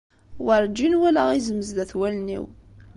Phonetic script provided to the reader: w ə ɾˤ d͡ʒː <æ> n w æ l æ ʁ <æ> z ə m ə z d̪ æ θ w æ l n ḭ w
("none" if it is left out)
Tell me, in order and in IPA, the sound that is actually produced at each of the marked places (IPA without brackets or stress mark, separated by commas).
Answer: i, i